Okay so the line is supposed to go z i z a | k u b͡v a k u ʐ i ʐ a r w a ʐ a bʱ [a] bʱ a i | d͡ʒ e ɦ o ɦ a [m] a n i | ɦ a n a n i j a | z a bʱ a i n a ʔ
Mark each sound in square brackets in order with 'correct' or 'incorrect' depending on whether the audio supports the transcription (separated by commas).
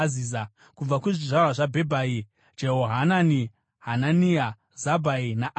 incorrect, incorrect